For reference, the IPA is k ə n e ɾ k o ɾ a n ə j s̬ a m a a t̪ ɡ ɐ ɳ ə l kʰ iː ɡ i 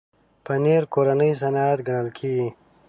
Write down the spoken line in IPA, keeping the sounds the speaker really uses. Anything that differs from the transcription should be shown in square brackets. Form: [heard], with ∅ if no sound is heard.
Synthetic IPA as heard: [p] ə n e ɾ k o ɾ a n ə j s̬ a [n] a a t̪ ɡ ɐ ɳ ə l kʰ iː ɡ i